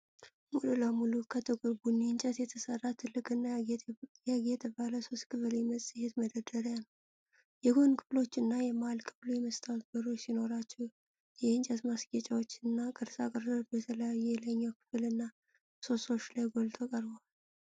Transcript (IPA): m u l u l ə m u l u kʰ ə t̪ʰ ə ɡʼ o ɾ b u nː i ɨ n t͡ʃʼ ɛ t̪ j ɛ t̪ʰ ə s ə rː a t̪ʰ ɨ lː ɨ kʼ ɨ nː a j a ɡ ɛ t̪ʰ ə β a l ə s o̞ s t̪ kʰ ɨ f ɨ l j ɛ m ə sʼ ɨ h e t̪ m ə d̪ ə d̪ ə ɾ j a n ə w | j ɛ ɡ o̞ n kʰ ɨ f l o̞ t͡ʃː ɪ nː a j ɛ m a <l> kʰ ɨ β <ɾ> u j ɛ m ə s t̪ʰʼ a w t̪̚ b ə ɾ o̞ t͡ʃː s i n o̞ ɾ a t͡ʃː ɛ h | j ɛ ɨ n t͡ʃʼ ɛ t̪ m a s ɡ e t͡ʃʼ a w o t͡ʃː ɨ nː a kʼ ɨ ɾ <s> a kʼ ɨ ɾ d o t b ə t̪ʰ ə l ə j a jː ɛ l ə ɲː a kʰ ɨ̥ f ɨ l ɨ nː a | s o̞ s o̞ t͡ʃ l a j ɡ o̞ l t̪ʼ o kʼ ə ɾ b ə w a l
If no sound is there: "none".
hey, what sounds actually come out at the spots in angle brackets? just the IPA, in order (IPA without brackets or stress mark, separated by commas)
l, l, s